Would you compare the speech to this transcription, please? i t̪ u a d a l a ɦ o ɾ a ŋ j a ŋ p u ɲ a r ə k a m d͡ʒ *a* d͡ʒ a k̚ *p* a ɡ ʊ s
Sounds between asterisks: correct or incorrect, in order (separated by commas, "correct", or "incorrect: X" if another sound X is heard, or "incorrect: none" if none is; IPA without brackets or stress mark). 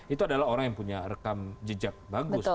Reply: incorrect: ə, incorrect: b